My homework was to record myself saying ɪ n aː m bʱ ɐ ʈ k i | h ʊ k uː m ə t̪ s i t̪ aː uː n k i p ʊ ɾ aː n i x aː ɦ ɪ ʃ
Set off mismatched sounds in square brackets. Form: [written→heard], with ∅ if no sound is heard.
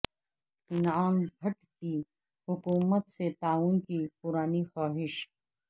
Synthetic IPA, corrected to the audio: ɪ n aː m bʱ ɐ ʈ k i | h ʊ k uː m ə t̪ s [i→e] t̪ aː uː n k i p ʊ ɾ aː n i x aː ɦ ɪ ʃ